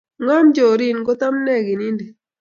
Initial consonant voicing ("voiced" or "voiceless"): voiced